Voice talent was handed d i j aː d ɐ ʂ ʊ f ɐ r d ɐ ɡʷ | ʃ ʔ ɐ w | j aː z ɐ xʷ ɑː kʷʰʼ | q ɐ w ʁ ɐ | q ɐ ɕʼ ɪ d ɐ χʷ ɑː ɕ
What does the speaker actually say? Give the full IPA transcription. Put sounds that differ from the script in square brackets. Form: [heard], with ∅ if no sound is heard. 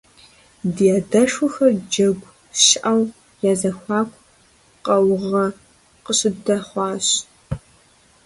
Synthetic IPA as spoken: d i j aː d ɐ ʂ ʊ [x] ɐ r [d͡ʒ] ɐ ɡʷ | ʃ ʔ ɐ w | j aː z ɐ xʷ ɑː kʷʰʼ | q ɐ w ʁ ɐ | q [ə] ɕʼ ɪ d ɐ χʷ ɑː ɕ